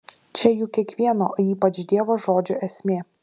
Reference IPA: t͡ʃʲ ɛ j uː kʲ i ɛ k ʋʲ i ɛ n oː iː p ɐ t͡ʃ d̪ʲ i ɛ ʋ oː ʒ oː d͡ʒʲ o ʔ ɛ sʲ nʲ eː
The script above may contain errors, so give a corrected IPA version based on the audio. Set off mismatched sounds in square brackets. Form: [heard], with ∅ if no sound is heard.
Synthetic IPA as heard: t͡ʃʲ ɛ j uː kʲ i ɛ k ʋʲ i ɛ n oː iː p ɐ t͡ʃ d̪ʲ i ɛ ʋ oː ʒ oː d͡ʒʲ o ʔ ɛ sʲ [mʲ] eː